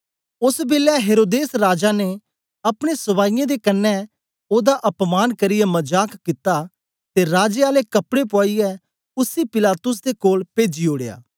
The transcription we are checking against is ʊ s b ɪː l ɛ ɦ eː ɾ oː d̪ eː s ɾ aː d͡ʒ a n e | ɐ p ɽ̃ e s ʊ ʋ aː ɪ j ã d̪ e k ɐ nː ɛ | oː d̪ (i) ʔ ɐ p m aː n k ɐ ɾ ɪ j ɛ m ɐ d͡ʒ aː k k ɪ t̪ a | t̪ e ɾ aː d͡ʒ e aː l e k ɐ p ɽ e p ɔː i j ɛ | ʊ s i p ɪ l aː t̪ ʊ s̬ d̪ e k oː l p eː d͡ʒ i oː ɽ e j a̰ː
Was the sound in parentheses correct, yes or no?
no